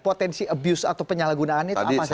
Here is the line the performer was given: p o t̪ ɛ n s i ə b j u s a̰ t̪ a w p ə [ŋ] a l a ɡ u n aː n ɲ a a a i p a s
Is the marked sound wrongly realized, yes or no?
yes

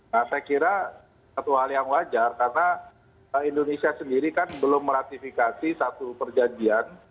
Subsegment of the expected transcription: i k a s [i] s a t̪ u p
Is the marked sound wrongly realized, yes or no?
no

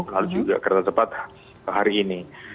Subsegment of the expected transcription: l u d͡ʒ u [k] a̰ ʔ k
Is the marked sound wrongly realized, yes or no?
yes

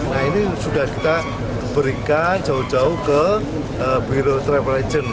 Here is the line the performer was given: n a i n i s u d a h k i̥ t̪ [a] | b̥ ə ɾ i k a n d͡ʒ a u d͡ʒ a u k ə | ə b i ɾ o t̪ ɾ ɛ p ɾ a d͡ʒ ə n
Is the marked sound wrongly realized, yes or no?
no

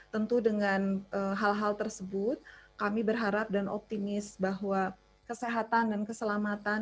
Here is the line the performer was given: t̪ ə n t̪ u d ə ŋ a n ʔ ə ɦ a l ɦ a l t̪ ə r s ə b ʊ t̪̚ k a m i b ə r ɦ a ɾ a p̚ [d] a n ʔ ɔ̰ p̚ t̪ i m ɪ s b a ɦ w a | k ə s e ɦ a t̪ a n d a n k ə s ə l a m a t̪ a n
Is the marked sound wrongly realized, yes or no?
no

